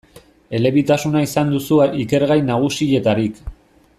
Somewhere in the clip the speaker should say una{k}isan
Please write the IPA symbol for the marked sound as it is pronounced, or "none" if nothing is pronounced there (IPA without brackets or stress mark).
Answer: none